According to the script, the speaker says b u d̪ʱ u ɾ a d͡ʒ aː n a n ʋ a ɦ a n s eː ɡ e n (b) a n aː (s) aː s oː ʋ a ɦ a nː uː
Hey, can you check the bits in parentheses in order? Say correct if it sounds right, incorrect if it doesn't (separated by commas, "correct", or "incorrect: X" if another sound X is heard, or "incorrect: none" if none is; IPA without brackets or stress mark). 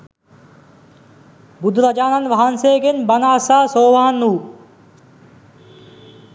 correct, correct